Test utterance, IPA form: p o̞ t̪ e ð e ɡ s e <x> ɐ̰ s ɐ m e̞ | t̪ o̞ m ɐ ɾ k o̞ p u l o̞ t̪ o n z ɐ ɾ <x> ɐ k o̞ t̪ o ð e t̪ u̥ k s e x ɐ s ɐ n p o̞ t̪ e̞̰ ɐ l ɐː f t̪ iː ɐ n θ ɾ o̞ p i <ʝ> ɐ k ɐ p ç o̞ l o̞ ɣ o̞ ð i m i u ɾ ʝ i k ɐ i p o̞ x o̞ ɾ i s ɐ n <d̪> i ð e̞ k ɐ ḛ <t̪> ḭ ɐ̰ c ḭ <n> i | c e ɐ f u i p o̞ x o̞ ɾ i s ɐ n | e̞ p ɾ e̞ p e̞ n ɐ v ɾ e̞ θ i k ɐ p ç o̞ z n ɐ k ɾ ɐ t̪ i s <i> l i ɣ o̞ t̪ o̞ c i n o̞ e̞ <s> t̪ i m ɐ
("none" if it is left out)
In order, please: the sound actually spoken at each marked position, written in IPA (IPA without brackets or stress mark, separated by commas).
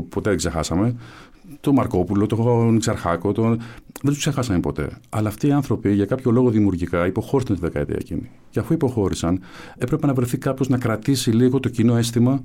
x, x, ʝ, t̪, t̪, n, i, s